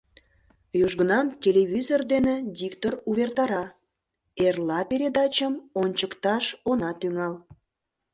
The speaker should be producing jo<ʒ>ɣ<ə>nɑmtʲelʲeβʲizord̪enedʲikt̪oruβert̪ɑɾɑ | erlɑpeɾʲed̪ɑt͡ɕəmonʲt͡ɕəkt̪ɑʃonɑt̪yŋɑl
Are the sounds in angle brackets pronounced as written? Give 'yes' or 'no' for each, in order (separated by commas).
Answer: yes, yes